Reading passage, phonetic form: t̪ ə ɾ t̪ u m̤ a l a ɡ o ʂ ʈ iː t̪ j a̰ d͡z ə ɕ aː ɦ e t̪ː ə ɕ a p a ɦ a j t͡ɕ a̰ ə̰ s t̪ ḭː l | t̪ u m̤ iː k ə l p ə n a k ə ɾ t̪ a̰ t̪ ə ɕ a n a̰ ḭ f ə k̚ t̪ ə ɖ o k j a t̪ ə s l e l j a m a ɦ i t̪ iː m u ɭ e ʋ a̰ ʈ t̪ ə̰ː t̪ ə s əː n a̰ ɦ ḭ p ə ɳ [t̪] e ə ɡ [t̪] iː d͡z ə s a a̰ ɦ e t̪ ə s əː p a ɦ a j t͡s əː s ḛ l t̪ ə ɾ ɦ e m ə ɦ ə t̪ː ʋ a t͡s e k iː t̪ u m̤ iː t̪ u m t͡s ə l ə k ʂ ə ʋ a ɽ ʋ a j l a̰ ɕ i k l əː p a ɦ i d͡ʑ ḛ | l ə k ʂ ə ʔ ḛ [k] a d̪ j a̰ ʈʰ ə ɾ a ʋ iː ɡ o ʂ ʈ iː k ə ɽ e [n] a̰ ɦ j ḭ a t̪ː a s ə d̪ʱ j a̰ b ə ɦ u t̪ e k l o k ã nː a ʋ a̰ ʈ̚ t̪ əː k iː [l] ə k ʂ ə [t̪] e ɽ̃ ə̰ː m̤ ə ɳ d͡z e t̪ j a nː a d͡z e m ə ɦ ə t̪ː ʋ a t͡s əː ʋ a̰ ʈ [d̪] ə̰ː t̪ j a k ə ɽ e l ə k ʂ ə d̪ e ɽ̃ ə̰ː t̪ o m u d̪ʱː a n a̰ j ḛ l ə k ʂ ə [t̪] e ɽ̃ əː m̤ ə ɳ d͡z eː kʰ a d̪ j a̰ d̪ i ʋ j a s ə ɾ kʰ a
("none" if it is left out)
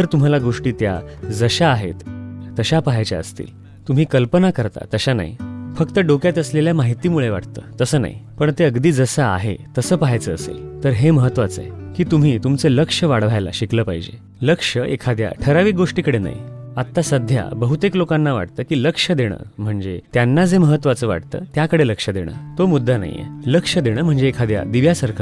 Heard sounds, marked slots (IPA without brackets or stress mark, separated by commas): t̪, d̪, kʰ, n, l, d̪, t̪, d̪